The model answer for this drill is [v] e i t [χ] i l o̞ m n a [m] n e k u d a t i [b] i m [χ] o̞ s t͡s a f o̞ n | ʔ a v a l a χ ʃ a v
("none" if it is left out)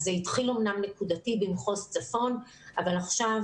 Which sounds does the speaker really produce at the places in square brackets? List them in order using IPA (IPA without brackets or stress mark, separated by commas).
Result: z, χ, m, b, χ